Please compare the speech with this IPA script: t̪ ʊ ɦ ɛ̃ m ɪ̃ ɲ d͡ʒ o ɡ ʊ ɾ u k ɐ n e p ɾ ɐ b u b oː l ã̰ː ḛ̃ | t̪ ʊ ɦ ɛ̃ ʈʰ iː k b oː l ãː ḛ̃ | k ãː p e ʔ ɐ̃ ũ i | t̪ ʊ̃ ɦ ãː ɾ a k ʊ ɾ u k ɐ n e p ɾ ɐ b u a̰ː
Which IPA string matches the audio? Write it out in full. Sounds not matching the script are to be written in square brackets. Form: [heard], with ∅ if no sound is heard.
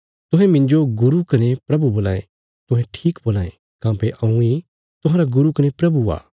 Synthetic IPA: t̪ ʊ ɦ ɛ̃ m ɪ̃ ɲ d͡ʒ o ɡ ʊ ɾ u k ɐ n e p ɾ ɐ b u b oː l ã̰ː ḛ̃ | t̪ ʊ ɦ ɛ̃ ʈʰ iː k b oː l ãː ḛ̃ | k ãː p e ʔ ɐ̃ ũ i | t̪ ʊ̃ ɦ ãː ɾ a [ɡ] ʊ ɾ u k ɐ n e p ɾ ɐ b u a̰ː